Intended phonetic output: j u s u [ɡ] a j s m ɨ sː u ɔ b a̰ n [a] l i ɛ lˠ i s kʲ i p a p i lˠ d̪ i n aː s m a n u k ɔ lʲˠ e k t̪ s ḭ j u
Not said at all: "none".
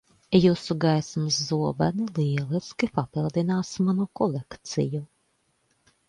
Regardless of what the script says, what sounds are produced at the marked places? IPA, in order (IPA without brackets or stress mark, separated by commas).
ɡ, i